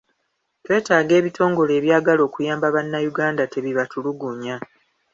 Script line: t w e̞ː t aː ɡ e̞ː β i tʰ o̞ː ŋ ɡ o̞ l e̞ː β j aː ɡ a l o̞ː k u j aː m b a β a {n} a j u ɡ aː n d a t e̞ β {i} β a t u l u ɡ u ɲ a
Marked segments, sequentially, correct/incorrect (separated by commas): incorrect, correct